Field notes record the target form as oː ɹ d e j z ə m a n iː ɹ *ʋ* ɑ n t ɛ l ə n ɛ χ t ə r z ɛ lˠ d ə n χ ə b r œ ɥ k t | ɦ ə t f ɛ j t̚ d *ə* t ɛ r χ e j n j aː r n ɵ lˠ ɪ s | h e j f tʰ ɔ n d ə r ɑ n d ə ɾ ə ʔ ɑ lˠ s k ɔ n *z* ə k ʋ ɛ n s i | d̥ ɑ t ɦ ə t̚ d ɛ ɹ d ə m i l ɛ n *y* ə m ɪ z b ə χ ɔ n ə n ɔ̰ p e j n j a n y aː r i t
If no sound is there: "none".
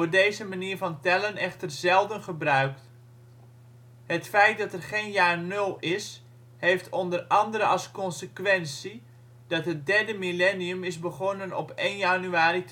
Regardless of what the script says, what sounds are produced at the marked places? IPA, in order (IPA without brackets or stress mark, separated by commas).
v, ɑ, s, i